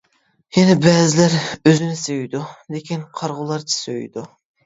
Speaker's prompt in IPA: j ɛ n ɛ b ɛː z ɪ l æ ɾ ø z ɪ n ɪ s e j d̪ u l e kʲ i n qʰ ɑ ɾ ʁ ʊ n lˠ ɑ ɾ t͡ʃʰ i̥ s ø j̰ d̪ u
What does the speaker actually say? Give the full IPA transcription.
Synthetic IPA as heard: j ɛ n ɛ b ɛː z ɪ l æ ɾ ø z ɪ n ɪ s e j d̪ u l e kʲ i n qʰ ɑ ɾ ʁ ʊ lˠ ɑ ɾ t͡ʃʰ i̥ s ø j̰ d̪ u